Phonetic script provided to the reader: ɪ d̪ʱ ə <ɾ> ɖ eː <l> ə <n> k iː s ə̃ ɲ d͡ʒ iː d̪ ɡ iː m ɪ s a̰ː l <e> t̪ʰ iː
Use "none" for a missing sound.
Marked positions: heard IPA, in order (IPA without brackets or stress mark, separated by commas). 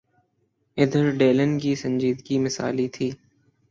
ɾ, l, n, i